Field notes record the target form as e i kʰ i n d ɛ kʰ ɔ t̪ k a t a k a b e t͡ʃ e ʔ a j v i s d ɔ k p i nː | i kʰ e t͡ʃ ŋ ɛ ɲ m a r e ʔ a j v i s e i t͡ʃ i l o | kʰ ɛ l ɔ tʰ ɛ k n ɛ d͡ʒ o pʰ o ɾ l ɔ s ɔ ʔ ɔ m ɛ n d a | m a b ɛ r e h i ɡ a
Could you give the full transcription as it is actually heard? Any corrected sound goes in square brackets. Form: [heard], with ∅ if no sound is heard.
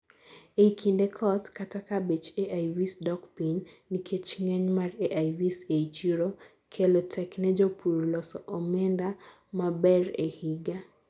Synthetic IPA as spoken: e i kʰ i n d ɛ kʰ ɔ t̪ k a t a k a b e t͡ʃ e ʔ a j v i s d ɔ k p i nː | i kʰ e t͡ʃ ŋ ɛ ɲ m a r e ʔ a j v i s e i t͡ʃ i [ɾ] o | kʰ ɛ l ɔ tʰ ɛ k n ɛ d͡ʒ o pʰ [u] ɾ l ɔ s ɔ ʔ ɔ m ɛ n d a | m a b ɛ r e h i ɡ a